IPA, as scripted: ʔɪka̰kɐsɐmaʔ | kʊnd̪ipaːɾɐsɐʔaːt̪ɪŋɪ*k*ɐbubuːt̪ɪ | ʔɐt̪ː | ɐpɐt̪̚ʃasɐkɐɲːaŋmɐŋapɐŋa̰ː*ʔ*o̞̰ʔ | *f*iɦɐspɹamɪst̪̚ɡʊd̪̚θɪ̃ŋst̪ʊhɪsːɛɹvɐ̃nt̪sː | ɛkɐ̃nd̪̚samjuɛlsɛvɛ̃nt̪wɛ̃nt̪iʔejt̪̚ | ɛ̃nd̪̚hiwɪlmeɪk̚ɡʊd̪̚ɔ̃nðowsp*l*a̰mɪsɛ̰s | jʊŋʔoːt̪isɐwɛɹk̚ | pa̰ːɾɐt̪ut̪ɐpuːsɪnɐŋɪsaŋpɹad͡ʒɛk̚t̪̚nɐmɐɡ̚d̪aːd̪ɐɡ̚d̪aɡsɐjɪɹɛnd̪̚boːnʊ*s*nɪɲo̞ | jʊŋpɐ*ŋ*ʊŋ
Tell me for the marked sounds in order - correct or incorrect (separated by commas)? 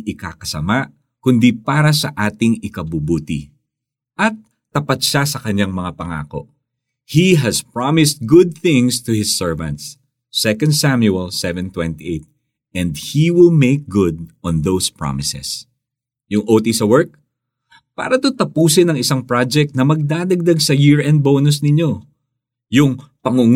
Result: correct, incorrect, incorrect, incorrect, correct, correct